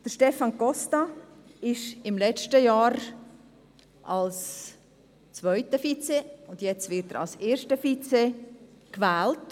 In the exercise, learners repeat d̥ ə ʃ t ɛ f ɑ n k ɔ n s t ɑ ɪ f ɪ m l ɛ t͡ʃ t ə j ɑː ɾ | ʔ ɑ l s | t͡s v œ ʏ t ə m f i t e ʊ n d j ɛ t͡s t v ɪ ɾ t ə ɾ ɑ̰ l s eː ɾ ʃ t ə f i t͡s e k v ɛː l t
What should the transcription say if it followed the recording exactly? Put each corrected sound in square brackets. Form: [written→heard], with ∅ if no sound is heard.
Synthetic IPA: d̥ ə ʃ t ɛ f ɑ n k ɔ [n→∅] s t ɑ ɪ [f→ʃ] ɪ m l ɛ t͡ʃ t ə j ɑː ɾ | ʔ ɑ l s | t͡s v œ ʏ t ə [m→∅] f i [t→t͡s] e ʊ n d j ɛ t͡s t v ɪ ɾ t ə ɾ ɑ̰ l s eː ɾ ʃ t ə f i t͡s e k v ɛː l t